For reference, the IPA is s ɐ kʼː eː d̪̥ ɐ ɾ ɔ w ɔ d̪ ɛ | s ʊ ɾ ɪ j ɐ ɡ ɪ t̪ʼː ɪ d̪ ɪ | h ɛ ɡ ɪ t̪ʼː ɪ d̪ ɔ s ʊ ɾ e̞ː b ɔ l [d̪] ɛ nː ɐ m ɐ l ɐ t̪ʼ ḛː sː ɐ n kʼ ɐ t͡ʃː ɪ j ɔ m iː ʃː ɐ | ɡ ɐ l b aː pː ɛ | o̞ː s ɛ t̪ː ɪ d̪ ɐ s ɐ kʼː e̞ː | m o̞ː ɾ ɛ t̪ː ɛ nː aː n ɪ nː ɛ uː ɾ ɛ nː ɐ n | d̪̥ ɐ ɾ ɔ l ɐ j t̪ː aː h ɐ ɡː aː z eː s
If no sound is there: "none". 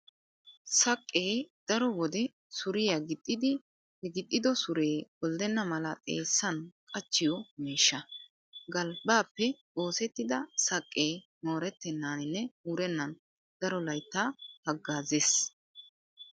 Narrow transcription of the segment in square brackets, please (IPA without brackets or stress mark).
d̪